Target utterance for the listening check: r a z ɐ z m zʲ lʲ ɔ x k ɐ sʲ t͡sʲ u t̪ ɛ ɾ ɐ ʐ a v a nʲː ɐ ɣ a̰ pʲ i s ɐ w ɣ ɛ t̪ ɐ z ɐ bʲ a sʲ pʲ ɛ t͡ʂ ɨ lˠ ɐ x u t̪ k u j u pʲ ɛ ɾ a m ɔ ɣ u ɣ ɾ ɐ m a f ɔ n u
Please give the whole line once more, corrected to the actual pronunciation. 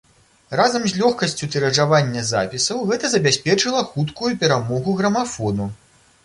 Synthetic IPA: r a z ɐ m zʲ lʲ ɔ x k ɐ sʲ t͡sʲ u t̪ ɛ ɾ ɐ ʐ a v a nʲː ɐ z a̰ pʲ i s ɐ w ɣ ɛ t̪ ɐ z ɐ bʲ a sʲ pʲ ɛ t͡ʂ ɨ lˠ ɐ x u t̪ k u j u pʲ ɛ ɾ a m ɔ ɣ u ɣ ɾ ɐ m a f ɔ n u